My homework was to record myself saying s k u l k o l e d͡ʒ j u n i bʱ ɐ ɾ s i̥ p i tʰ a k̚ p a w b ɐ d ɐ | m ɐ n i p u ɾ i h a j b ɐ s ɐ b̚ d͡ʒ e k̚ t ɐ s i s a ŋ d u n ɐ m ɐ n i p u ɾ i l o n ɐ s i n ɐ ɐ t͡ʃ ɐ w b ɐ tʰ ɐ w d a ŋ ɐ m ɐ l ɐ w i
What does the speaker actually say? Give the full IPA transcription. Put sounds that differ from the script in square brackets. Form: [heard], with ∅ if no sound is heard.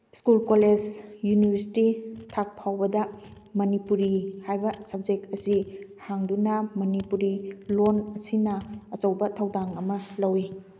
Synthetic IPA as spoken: s k u l k o l e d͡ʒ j u n i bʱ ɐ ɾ s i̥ [t] i tʰ a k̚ [pʰ] a w b ɐ d ɐ | m ɐ n i p u ɾ i h a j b ɐ s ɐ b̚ d͡ʒ e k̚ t ɐ s i [h] a ŋ d u n ɐ m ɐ n i p u ɾ i l o n ɐ s i n ɐ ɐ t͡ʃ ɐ w b ɐ tʰ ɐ w d a ŋ ɐ m ɐ l ɐ w i

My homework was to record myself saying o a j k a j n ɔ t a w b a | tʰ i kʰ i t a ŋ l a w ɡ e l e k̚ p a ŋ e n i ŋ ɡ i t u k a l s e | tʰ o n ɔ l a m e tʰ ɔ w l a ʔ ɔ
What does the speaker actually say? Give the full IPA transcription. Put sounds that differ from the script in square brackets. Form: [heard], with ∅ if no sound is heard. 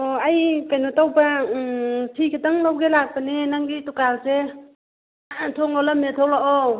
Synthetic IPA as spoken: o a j k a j n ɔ t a w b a | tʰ i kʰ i t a ŋ l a w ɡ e l [a] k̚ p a [n] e n [a] ŋ ɡ i t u k a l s e | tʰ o [ŋ] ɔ l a m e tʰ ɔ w l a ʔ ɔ

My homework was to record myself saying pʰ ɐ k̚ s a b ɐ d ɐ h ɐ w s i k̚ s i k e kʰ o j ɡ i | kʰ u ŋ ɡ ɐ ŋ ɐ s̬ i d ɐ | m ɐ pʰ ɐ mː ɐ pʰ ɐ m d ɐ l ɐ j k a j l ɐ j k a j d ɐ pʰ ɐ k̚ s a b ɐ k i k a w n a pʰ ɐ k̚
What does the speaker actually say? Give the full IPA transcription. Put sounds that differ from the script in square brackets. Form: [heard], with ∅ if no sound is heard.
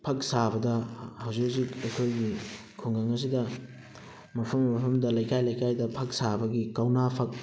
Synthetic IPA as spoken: pʰ ɐ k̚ s a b ɐ d ɐ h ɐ w [z] i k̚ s i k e kʰ o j ɡ i | kʰ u ŋ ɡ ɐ ŋ ɐ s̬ i d ɐ | m ɐ pʰ ɐ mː ɐ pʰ ɐ m d ɐ l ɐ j k a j l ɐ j k a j d ɐ pʰ ɐ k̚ s a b ɐ [ɡ] i k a w n a pʰ ɐ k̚

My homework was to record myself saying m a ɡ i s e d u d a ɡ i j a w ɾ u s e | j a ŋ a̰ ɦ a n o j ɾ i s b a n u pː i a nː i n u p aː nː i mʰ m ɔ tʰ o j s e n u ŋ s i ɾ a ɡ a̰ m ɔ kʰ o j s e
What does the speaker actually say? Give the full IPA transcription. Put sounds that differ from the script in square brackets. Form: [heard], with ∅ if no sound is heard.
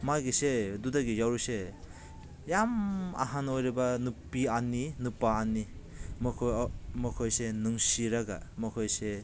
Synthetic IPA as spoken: m a ɡ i s e d u d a ɡ i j a w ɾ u s e | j a [m] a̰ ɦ a n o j ɾ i [∅] b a n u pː i a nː i n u p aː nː i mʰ m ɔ [kʰ] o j s e n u ŋ s i ɾ a ɡ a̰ m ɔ kʰ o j s e

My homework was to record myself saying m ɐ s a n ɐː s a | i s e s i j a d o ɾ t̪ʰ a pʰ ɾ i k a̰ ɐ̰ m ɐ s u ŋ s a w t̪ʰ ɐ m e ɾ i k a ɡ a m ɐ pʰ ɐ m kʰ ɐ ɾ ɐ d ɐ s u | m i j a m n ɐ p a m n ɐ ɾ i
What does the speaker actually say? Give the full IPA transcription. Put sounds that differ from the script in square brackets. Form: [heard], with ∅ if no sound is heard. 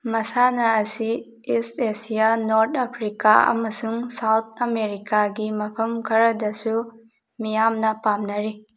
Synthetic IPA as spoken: m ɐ s a n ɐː s [i] | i s e s i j a [n] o ɾ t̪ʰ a pʰ ɾ i k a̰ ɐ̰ m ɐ s u ŋ s a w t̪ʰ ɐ m e ɾ i k a ɡ [i] m ɐ pʰ ɐ m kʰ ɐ ɾ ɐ d ɐ s u | m i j a m n ɐ p a m n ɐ ɾ i

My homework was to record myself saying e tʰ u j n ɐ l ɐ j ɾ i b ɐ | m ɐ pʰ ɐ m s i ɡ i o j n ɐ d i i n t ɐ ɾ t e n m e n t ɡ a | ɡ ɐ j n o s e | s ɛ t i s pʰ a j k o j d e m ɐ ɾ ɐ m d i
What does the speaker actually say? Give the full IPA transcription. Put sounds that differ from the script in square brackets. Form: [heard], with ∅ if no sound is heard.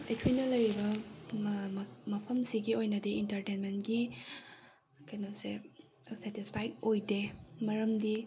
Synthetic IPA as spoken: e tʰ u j n ɐ l ɐ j ɾ i b ɐ | m ɐ pʰ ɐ m s i ɡ i o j n ɐ d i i n t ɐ ɾ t e n m e n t ɡ [i] | [k] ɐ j n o s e | s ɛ t i s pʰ a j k o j d e m ɐ ɾ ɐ m d i

